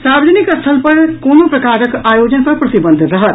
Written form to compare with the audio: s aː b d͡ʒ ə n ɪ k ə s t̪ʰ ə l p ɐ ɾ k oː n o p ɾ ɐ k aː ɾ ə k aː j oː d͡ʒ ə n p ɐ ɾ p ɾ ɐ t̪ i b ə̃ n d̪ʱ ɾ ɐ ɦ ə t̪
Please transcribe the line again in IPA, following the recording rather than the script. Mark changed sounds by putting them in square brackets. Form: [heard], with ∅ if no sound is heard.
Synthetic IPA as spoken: s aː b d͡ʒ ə n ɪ k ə s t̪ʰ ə l p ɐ ɾ k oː n o p ɾ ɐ k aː ɾ ə k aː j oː d͡ʒ ə n p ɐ ɾ p ɾ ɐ t̪ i b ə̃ n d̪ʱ ɾ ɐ ɦ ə t̪